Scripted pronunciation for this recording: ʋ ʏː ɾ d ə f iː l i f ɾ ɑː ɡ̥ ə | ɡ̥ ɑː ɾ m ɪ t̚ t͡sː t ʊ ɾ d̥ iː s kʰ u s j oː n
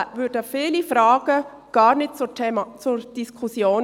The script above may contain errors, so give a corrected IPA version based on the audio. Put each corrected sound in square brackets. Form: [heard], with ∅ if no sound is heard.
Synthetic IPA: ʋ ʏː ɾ d ə f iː l i f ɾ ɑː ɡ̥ ə | ɡ̥ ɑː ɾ [n] ɪ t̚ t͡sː [t͡s] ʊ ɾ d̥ [i] s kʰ u s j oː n